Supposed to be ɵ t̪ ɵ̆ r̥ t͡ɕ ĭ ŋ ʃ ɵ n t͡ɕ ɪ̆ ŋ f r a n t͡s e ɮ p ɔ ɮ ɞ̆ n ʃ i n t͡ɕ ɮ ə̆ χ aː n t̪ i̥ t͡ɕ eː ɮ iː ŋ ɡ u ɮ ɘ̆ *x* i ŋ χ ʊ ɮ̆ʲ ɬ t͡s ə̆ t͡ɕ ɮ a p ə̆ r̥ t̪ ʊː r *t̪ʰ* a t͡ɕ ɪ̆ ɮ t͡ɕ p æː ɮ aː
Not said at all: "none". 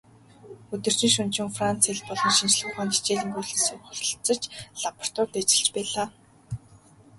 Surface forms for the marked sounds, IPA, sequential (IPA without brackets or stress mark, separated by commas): s, t̪